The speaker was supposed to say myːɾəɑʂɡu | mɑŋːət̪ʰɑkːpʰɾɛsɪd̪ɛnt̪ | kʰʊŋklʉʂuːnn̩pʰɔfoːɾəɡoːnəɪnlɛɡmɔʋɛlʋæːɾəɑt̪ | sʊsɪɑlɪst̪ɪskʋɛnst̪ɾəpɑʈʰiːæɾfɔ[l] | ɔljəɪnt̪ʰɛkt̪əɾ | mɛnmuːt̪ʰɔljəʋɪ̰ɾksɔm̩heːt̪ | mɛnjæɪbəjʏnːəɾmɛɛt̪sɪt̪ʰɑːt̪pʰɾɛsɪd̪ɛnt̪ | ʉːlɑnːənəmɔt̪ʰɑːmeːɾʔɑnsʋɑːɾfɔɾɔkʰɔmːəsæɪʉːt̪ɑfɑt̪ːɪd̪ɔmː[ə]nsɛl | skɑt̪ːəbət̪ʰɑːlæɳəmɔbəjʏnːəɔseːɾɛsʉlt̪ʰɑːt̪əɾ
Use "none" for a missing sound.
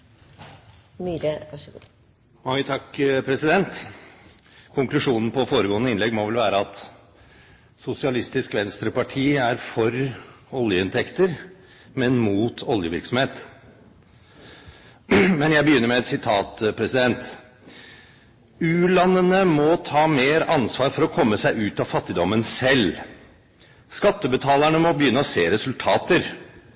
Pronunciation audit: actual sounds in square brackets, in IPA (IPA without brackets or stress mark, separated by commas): ɾ, ə